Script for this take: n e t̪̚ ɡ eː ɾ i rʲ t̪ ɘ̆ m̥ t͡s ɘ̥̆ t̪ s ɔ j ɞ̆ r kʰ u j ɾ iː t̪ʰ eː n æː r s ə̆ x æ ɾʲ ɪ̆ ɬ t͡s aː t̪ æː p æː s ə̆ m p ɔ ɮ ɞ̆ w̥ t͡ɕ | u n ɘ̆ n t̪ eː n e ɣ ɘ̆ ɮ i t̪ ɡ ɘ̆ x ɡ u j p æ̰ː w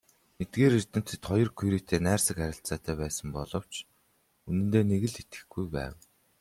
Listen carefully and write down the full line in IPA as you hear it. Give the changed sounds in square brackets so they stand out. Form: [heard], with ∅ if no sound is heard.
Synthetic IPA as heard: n e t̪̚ ɡ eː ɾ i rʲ t̪ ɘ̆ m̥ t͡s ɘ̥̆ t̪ [χ] ɔ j ɞ̆ r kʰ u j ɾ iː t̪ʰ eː n æː r s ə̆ [k] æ ɾʲ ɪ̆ ɬ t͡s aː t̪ æː p æː s ə̆ m p ɔ ɮ ɞ̆ w̥ t͡ɕ | u n ɘ̆ n t̪ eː n e ɣ ɘ̆ ɮ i t̪ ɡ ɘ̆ x ɡ u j p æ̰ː w